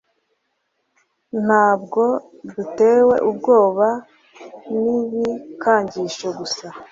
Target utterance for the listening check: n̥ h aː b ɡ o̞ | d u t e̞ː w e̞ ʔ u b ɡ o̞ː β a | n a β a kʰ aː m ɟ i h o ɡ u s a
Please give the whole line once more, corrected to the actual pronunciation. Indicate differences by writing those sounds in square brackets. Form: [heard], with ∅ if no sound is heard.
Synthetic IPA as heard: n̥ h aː b ɡ o̞ | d u t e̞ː w e̞ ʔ u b ɡ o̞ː β a | n [i] β [i] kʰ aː [ɲ] ɟ i [ʃ] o ɡ u s a